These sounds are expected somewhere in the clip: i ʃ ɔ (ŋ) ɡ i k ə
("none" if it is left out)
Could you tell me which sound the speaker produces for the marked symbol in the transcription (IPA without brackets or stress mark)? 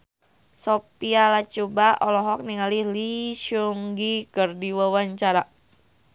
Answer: ŋ